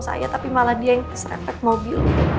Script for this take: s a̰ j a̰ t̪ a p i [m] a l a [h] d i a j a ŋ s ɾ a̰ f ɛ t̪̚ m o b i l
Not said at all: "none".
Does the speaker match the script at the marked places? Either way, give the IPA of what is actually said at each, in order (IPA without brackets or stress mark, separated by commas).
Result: m, h